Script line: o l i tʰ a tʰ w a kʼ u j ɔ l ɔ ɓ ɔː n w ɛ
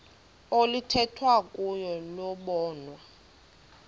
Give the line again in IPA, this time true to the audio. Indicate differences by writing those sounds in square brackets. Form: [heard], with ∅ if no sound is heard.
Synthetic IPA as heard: o l i tʰ [ɛ] tʰ w a kʼ u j ɔ l ɔ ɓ ɔː n w [a]